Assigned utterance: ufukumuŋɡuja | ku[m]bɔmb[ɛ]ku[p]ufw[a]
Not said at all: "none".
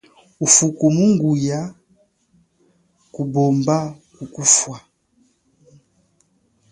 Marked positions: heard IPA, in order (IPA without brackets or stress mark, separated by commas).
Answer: none, a, k, a